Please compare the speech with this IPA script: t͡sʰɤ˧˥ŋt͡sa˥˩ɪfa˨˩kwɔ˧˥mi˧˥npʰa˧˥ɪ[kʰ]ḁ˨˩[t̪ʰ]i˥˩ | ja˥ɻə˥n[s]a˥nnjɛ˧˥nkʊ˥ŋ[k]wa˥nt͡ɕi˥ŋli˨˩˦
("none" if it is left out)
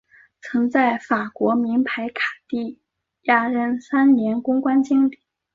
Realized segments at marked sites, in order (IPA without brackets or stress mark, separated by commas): kʰ, t̪, s, k